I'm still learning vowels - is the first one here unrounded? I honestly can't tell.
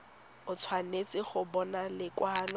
no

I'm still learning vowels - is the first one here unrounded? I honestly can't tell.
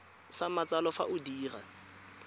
yes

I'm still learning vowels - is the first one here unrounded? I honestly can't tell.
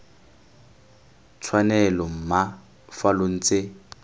yes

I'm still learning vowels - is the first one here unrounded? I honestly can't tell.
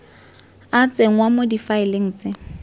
yes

